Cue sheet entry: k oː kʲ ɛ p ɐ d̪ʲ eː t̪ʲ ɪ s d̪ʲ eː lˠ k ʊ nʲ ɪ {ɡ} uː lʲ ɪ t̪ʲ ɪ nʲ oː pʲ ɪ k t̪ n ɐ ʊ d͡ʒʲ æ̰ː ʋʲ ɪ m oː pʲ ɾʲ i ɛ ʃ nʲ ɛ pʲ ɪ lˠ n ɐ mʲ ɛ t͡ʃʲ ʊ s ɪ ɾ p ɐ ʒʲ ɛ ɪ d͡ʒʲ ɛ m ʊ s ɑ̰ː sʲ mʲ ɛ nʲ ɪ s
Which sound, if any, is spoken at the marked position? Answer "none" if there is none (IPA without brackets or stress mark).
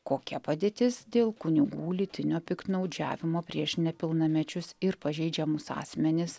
ɡ